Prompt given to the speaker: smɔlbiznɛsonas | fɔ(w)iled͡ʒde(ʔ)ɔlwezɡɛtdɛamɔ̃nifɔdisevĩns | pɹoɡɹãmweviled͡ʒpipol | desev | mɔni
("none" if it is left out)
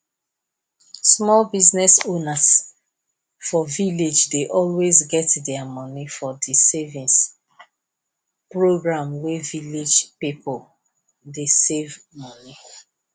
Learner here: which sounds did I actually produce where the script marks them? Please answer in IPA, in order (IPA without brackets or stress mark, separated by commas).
v, ʔ